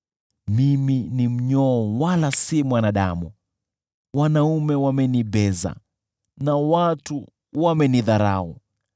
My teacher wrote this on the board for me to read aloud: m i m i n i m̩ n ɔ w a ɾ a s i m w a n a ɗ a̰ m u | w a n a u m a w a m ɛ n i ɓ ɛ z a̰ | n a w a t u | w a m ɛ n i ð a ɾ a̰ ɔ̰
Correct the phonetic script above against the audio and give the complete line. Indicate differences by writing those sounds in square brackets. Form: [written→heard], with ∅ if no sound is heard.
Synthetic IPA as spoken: m i m i n i m̩ [n→ɲ] ɔ w a [ɾ→l] a s i m w a n a ɗ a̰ m u | w a n a u m [a→ɛ] w a m ɛ n i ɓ ɛ z a̰ | n a w a t u | w a m ɛ n i ð a ɾ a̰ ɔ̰